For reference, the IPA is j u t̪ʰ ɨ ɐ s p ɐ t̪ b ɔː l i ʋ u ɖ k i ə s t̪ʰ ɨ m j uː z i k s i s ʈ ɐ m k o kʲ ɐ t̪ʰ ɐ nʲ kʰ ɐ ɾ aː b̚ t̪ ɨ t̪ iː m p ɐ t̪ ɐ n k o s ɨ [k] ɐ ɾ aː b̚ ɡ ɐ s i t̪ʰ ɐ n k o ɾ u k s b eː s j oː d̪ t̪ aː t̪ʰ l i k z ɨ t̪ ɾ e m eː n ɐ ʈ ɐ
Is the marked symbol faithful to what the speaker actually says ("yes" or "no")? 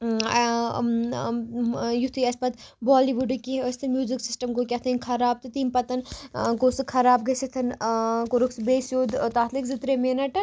no